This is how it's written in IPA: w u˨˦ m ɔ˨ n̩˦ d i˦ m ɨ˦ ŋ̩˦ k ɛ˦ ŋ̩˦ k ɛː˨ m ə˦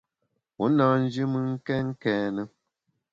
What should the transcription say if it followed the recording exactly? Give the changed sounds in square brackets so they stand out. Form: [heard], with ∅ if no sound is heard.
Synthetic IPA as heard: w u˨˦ [n] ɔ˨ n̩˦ [d͡ʒ] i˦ m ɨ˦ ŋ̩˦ k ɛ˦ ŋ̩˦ k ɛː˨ [n] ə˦